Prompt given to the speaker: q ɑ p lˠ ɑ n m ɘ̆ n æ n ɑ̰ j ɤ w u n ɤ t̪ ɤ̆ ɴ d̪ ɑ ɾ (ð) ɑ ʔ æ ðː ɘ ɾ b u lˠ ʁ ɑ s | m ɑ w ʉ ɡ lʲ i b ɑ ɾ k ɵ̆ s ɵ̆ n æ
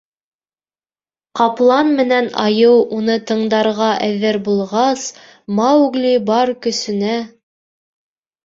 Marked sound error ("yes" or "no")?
yes